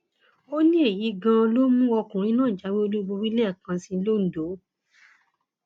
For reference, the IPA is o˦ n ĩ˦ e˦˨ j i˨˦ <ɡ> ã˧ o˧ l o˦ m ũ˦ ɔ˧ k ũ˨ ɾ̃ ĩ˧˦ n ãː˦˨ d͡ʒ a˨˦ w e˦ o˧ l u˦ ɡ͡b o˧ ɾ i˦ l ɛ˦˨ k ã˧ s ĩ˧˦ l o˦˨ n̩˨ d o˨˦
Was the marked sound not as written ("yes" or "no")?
no